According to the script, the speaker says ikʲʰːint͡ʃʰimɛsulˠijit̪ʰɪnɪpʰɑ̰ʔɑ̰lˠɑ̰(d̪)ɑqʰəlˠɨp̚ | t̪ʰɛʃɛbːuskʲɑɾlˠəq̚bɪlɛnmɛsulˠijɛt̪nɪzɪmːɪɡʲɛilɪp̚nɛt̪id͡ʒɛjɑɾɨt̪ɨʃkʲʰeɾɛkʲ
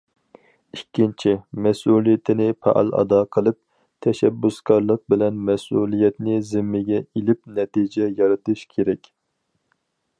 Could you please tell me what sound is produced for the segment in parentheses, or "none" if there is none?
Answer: d̪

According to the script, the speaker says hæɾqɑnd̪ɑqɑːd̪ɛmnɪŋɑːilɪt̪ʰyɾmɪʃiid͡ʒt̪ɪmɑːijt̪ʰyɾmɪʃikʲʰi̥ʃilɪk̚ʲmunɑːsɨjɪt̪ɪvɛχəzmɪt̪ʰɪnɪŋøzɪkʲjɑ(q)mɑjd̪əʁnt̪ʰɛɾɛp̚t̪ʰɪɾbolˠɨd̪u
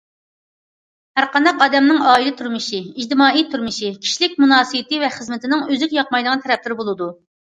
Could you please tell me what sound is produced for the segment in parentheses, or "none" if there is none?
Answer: q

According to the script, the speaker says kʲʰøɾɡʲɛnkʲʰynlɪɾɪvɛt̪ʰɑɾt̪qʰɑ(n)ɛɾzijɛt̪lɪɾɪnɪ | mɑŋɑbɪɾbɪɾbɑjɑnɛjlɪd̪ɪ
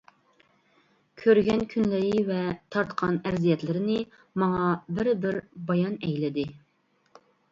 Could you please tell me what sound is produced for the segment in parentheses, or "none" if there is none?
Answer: n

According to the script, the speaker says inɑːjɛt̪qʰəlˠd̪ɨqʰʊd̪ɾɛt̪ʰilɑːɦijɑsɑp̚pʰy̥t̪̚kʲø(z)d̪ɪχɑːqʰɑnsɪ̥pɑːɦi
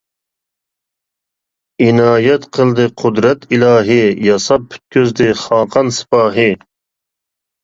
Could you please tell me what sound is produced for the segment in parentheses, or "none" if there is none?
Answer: z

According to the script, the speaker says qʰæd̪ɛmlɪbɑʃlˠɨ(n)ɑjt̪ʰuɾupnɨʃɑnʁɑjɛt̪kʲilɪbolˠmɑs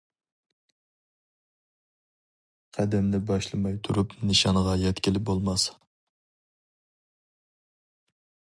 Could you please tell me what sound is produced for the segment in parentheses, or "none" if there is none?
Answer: m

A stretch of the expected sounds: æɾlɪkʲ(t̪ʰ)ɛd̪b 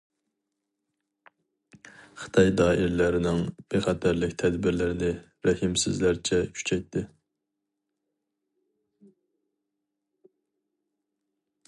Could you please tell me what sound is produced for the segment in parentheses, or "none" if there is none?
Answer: t̪ʰ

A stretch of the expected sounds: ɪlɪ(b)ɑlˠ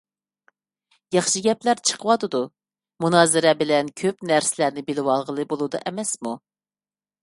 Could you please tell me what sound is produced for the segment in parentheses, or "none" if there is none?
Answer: w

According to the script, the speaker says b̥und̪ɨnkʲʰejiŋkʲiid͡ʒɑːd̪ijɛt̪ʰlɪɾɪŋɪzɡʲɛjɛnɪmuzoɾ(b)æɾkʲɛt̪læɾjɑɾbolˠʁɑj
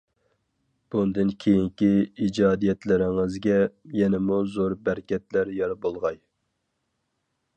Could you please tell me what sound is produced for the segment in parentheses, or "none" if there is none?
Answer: b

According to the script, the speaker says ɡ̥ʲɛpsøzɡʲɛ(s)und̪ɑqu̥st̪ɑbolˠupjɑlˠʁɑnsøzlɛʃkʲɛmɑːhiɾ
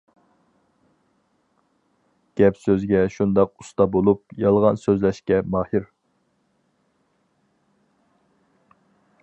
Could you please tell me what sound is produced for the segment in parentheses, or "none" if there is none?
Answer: ʃ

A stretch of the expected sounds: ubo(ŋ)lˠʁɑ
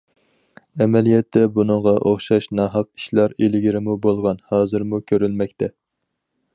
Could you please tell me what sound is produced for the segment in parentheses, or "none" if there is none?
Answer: none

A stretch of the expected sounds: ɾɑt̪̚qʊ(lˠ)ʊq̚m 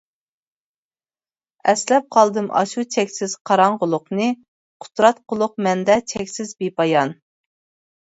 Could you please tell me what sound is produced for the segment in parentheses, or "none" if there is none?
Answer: lˠ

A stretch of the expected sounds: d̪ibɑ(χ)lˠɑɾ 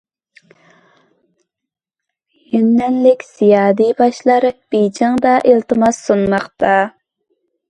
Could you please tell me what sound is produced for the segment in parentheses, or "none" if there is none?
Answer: ʃ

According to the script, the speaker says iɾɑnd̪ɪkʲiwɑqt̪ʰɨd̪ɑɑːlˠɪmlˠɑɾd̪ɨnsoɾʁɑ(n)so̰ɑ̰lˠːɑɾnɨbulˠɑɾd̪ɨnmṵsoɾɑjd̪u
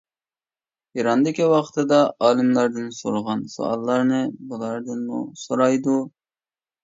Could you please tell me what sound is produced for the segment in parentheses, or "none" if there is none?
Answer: n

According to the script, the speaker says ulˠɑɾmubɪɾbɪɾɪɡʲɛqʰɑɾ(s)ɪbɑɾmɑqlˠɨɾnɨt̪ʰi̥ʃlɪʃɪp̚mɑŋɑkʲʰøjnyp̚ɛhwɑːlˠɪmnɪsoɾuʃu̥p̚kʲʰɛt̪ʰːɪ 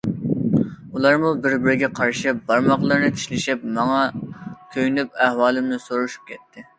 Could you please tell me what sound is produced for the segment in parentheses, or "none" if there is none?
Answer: ʃ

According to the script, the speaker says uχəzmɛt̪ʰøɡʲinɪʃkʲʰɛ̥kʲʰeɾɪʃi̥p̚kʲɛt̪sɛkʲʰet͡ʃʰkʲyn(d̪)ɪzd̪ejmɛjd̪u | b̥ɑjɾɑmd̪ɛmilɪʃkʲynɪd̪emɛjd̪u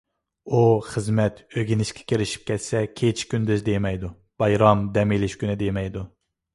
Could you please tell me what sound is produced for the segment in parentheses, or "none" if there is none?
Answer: d̪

